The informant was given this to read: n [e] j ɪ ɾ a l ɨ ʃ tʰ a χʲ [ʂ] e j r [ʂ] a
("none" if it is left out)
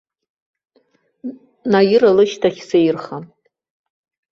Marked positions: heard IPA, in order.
a, s, χ

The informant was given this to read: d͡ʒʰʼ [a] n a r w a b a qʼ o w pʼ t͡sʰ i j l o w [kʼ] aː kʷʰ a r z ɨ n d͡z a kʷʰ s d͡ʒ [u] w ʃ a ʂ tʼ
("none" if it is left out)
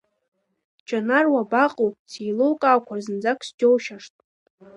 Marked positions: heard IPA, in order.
a, kʼ, o

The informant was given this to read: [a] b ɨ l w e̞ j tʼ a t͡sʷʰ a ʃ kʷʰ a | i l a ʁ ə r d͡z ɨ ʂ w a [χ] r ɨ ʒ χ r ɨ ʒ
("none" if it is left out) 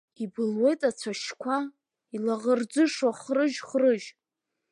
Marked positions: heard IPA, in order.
i, χ

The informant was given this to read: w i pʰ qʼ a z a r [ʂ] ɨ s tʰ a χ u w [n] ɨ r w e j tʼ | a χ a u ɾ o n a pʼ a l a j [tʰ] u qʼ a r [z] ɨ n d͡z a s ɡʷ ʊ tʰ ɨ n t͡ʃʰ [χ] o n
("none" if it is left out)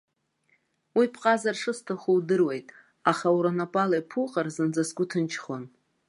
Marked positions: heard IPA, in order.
ʂ, d, pʰ, z, χ

